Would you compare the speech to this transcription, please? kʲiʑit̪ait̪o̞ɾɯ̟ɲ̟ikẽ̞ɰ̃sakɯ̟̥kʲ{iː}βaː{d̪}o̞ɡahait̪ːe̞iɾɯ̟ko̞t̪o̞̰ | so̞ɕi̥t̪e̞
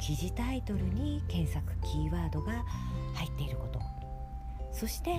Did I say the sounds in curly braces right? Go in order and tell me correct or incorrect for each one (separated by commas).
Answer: correct, correct